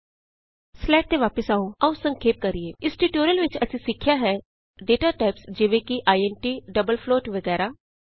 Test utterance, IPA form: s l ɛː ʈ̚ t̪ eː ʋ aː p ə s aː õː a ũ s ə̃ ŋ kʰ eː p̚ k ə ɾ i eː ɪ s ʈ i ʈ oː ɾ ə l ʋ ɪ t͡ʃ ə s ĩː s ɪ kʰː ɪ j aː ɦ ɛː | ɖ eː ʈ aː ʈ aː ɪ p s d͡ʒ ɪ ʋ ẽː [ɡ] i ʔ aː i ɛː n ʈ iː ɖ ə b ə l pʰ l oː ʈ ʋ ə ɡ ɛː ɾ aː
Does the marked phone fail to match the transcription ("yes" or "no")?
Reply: yes